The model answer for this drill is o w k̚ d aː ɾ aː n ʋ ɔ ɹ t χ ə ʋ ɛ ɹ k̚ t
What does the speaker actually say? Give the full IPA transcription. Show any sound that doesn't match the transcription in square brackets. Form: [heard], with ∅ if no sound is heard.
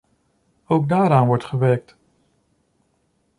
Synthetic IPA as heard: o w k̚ d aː ɾ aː n ʋ ɔ ɹ t χ ə ʋ ɛ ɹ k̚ t